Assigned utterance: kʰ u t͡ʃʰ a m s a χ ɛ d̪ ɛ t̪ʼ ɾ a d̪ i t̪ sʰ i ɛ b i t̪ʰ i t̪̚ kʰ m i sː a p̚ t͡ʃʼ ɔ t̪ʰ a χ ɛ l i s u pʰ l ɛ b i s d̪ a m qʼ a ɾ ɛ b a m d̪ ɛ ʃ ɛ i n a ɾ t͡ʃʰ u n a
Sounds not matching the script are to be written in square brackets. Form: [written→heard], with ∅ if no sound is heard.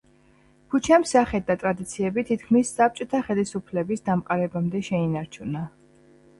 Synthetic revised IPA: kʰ u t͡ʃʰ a m s a χ ɛ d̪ [ɛ→a] t̪ʼ ɾ a d̪ i t̪ sʰ i ɛ b i t̪ʰ i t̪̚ kʰ m i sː a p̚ t͡ʃʼ ɔ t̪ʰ a χ ɛ l i s u pʰ l ɛ b i s d̪ a m qʼ a ɾ ɛ b a m d̪ ɛ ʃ ɛ i n a ɾ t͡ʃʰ u n a